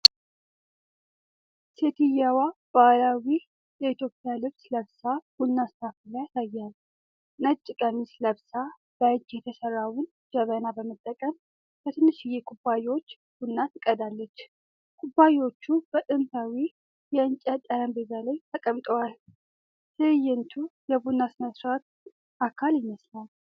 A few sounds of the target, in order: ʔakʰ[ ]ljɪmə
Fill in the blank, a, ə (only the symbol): a